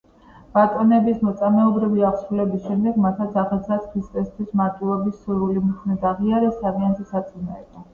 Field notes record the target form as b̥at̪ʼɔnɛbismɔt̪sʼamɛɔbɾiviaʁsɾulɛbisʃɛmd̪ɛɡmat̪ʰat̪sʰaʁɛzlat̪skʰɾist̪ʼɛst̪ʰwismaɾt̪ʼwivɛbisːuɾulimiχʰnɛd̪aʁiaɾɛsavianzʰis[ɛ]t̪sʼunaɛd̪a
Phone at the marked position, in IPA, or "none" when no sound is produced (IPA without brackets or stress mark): a